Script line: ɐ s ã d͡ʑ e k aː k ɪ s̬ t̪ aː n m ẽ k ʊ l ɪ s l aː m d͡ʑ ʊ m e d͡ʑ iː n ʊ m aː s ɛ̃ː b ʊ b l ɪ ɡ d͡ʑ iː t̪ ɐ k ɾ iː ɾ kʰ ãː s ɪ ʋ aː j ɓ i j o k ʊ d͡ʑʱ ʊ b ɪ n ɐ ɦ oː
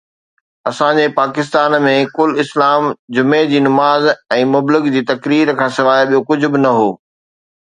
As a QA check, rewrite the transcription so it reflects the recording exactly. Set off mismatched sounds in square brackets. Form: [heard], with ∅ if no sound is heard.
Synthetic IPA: ɐ s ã d͡ʑ e [p] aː k ɪ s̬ t̪ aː n m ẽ k ʊ l ɪ s l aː m d͡ʑ ʊ m e d͡ʑ iː n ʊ m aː [z] ɛ̃ː [m] ʊ b l ɪ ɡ d͡ʑ iː t̪ ɐ k ɾ iː ɾ kʰ ãː s ɪ ʋ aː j ɓ i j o k ʊ d͡ʑʱ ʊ b ɪ n ɐ ɦ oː